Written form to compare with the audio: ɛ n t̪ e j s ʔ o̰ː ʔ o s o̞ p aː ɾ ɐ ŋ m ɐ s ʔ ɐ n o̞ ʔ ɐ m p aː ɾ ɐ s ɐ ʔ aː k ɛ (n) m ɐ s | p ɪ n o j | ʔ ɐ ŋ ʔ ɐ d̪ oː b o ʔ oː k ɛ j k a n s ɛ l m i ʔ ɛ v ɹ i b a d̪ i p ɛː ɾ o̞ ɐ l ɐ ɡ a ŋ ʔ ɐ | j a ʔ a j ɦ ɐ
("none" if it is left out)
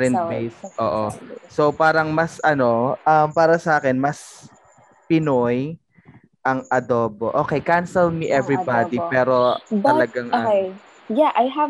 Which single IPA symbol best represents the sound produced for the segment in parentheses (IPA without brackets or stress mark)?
n